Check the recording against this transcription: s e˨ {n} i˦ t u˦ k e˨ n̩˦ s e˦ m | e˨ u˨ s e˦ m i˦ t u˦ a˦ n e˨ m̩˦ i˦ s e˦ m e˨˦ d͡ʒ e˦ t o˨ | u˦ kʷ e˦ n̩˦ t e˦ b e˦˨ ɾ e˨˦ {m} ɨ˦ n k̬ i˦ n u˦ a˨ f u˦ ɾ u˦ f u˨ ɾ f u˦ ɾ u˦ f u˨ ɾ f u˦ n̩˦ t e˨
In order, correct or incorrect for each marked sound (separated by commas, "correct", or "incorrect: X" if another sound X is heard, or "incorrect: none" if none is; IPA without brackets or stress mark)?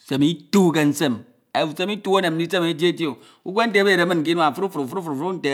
incorrect: m, correct